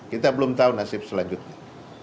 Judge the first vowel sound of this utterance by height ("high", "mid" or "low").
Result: high